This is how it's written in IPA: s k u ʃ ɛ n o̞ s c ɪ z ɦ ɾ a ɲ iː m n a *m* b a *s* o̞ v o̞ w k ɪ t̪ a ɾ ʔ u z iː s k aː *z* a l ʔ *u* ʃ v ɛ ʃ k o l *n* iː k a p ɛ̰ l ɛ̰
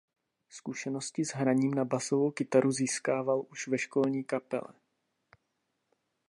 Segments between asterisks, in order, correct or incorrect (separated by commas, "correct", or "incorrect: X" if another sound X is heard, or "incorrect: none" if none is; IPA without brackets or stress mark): incorrect: none, correct, incorrect: v, correct, incorrect: ɲ